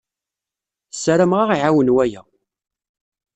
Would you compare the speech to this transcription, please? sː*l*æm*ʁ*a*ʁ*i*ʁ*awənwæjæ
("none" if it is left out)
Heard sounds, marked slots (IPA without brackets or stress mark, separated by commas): ɾ, ʁ, ʁ, ʕ